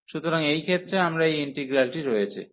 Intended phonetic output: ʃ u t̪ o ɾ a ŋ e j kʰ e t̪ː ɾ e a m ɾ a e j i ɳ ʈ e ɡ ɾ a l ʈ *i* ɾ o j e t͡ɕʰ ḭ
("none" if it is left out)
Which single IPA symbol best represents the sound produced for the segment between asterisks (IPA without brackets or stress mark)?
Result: i